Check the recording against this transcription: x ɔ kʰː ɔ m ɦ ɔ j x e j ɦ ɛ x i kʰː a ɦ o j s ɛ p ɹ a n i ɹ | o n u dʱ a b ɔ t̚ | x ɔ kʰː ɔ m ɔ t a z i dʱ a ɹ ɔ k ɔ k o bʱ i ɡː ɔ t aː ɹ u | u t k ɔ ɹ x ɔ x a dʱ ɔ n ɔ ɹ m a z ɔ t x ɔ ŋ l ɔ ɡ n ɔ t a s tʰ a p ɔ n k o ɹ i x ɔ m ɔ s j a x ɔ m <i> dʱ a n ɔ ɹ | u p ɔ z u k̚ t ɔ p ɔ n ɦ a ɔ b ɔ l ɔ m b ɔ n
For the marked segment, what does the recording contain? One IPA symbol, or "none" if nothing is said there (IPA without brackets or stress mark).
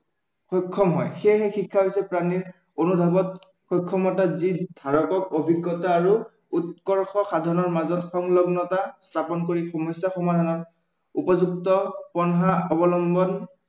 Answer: a